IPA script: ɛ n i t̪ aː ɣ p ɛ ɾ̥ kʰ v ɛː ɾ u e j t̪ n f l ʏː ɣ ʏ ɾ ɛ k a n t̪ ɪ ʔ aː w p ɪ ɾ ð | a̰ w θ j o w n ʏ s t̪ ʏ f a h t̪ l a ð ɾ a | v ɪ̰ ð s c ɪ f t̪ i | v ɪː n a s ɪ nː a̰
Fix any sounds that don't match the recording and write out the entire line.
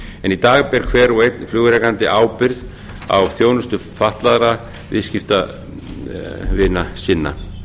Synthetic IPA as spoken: ɛ n i t̪ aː ɣ p ɛ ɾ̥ kʰ v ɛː ɾ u e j t̪ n f l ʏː ɣ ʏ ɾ ɛ k a n t̪ ɪ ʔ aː w p ɪ ɾ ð | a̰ w θ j o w n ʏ s t̪ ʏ f a h t̪ l a ð ɾ a | v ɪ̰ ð s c ɪ f t̪ a | v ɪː n a s ɪ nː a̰